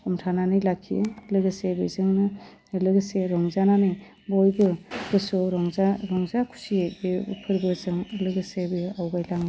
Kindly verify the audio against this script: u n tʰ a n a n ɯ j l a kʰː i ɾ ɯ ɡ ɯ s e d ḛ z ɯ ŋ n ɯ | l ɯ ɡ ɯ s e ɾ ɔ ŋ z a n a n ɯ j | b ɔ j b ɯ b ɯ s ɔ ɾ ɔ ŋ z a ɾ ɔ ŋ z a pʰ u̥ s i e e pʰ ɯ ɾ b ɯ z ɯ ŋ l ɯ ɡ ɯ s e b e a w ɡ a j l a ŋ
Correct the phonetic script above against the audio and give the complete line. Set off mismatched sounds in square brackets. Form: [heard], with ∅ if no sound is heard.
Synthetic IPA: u [m] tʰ a n a n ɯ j l a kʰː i [l] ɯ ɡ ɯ s e [b] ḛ z ɯ ŋ n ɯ | l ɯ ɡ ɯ s e ɾ ɔ ŋ z a n a n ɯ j | b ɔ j b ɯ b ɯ s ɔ ɾ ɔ ŋ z a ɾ ɔ ŋ z a [kʰ] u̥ s i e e pʰ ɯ ɾ b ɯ z ɯ ŋ l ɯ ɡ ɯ s e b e a w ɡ a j l a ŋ